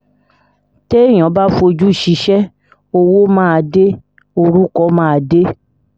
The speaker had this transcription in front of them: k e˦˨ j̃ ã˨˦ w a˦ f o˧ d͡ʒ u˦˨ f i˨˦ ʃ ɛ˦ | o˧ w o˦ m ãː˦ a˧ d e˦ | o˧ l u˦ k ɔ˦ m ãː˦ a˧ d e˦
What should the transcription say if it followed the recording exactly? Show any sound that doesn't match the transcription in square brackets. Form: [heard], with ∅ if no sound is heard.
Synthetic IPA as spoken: [t] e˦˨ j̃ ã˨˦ [b] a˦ f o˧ d͡ʒ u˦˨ [ʃ] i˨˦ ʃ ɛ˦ | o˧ w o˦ m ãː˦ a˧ d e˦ | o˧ [ɾ] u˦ k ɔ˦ m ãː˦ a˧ d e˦

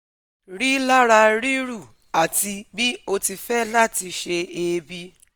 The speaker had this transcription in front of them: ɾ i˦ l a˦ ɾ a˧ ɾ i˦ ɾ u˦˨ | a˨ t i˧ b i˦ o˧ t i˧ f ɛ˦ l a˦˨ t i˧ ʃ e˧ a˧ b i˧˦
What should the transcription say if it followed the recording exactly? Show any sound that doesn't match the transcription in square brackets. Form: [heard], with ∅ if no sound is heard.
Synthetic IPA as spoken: ɾ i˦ l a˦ ɾ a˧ ɾ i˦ ɾ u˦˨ | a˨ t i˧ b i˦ o˧ t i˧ f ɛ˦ l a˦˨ t i˧ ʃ e˧ [e˧] b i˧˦

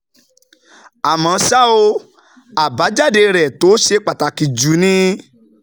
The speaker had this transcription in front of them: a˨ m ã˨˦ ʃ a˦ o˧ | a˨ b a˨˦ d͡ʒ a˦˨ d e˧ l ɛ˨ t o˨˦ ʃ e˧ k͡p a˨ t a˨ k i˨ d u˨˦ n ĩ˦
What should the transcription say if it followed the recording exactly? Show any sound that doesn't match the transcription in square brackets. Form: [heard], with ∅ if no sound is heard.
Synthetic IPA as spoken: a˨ m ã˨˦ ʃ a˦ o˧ | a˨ b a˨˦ d͡ʒ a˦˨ d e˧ [ɾ] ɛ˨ t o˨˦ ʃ e˧ k͡p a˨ t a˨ k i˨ [d͡ʒ] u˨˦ n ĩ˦

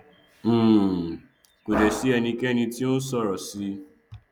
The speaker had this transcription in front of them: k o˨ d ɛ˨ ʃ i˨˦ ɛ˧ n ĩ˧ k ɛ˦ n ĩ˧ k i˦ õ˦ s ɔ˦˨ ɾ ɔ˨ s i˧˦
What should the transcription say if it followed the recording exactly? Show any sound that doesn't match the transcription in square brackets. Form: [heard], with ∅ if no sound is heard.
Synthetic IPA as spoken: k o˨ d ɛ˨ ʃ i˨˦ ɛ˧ n ĩ˧ k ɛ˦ n ĩ˧ [t] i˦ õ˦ s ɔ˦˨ ɾ ɔ˨ s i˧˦

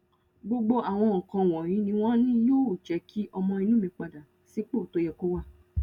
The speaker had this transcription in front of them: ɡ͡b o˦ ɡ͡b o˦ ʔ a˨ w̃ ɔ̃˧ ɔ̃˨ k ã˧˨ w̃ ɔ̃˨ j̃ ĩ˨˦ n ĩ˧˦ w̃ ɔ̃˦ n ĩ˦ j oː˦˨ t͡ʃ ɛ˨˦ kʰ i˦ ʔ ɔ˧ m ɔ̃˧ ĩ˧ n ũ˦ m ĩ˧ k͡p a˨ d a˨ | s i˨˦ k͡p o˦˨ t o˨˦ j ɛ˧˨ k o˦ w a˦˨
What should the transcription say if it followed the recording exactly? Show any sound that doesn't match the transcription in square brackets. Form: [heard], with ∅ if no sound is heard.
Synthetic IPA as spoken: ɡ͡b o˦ ɡ͡b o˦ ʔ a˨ w̃ ɔ̃˧ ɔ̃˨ k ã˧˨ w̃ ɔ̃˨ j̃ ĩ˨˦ n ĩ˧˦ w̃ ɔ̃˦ n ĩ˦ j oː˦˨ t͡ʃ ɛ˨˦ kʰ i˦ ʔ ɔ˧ m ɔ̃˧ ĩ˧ n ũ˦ m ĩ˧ k͡p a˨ d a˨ | s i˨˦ k͡p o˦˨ t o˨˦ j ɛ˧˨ k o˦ w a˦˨

